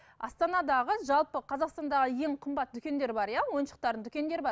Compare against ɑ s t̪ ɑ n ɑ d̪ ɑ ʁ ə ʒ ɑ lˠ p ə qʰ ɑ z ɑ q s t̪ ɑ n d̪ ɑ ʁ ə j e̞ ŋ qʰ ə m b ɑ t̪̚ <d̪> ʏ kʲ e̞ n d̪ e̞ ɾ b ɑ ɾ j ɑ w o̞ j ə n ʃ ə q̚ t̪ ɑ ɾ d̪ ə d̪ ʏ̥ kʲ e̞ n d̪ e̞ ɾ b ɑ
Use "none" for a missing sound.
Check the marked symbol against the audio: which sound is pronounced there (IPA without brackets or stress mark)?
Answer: d̪